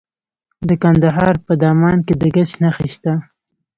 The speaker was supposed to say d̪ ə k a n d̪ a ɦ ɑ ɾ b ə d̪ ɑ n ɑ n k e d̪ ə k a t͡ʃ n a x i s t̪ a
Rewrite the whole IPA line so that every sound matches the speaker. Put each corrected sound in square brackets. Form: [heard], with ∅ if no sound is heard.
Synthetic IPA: d̪ ə k a n d̪ a ɦ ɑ ɾ [p] ə d̪ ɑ [m] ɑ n k e d̪ ə [ɡ] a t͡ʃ n a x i [ʃ] t̪ a